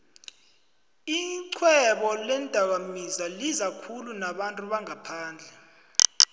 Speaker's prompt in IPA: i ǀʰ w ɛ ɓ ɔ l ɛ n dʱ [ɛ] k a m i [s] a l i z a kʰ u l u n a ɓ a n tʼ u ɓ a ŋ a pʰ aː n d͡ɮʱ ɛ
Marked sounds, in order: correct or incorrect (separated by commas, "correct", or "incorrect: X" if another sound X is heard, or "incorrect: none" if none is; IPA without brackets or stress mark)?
incorrect: a, incorrect: z